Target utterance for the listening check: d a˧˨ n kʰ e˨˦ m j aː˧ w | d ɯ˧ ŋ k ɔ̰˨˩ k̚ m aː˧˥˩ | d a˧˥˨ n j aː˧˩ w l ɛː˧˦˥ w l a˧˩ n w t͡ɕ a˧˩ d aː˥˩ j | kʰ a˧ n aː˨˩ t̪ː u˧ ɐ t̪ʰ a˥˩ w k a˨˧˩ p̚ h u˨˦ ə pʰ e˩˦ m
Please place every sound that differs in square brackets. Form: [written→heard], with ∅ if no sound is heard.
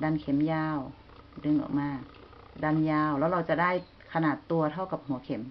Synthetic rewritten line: d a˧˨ n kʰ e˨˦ m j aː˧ w | d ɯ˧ ŋ [k→ʔ] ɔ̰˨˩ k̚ m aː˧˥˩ | d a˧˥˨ n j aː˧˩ w l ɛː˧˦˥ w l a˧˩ [n→∅] w t͡ɕ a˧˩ d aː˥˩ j | kʰ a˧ n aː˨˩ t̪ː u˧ ɐ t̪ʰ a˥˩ w k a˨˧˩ p̚ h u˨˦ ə [pʰ→kʰ] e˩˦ m